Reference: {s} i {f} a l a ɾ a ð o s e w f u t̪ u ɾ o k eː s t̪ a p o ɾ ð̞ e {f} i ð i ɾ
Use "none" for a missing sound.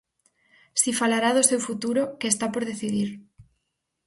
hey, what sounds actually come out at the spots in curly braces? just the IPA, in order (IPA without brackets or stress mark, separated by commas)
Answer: s, f, θ